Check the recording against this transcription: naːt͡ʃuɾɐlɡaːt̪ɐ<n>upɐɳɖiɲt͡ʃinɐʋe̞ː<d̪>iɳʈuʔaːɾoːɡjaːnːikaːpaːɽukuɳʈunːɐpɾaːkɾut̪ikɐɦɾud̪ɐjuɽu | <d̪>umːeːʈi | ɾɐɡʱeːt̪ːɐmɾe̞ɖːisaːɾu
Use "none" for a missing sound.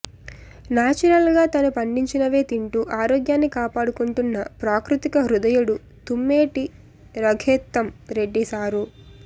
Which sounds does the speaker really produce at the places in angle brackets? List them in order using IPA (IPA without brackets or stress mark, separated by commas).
n, t̪, t̪